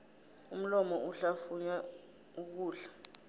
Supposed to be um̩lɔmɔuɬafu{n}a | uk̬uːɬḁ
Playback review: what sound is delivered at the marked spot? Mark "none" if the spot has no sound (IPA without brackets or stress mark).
ɲ